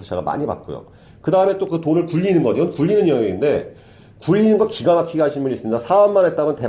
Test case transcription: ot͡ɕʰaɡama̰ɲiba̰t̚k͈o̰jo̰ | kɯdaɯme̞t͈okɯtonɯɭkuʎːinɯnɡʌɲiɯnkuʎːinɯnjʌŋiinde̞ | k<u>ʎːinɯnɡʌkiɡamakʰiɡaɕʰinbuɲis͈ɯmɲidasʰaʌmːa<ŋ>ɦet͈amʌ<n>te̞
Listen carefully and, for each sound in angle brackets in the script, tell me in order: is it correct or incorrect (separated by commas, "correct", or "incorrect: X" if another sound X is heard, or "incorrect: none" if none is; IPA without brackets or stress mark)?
correct, incorrect: n, correct